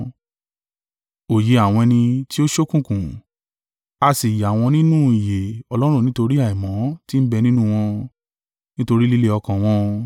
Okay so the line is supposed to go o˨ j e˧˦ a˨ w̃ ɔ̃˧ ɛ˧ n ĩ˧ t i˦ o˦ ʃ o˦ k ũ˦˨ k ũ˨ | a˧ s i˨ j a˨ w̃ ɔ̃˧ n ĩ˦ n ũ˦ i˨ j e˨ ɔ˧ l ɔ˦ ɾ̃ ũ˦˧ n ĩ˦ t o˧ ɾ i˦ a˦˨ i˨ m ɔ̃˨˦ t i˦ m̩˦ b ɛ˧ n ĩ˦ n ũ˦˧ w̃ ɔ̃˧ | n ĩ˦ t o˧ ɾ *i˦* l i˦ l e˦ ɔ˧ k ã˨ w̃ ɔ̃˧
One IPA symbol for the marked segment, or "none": i˦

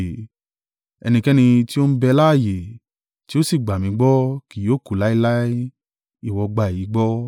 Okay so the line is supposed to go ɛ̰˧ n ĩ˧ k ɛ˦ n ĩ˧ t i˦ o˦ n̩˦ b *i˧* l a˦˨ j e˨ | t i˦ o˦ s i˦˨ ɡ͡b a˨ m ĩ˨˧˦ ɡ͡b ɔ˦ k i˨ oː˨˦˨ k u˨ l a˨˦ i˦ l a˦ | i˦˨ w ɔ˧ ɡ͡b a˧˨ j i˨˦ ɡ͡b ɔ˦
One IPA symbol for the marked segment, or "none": ɛ˧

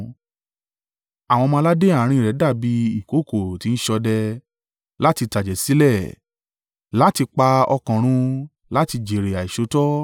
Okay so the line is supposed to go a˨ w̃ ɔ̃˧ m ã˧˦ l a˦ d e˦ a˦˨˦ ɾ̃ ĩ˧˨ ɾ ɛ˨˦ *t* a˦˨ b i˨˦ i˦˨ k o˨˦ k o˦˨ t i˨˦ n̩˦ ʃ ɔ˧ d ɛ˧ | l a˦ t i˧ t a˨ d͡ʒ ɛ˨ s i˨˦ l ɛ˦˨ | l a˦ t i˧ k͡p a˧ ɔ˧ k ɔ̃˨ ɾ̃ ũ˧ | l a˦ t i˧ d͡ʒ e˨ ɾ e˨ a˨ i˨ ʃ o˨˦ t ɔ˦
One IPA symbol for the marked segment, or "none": d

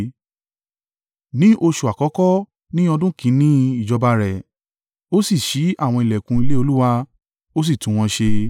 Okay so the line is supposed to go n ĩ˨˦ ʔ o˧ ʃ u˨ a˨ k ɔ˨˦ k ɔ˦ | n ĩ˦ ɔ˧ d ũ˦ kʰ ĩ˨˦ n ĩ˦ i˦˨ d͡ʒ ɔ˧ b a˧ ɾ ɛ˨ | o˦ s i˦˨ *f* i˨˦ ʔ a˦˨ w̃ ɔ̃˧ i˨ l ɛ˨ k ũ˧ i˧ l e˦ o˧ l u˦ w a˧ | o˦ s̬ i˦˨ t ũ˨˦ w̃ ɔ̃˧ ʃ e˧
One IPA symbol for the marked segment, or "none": ʃ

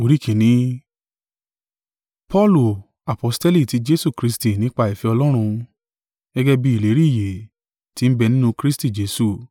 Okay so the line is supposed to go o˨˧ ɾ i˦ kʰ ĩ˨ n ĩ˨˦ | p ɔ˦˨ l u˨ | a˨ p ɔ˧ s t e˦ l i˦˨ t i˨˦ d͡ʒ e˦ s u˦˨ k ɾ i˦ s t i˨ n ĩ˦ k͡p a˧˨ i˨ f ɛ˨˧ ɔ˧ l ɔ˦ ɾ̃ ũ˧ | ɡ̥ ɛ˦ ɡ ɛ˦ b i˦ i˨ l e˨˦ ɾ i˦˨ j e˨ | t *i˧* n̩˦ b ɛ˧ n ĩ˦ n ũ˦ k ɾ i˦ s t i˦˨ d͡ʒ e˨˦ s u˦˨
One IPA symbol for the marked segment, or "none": i˧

